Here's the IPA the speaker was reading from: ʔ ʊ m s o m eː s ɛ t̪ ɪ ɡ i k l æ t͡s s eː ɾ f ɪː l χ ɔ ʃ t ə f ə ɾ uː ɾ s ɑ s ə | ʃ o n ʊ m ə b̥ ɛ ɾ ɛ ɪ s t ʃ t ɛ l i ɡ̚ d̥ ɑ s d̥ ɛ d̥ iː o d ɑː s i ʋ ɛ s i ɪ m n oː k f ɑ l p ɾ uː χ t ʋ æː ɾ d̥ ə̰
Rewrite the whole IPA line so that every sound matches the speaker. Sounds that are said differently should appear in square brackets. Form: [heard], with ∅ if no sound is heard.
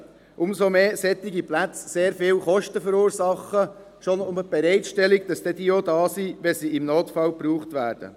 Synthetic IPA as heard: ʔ ʊ m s o m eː s ɛ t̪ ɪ ɡ i [p] l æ t͡s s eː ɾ f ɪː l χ ɔ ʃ t ə f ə ɾ uː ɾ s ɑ [χ] ə | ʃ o n ʊ m ə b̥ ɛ ɾ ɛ ɪ [∅] t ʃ t ɛ l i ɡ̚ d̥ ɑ s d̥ ɛ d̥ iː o d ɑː s i ʋ ɛ s i ɪ m n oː [t] f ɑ l p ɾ uː χ t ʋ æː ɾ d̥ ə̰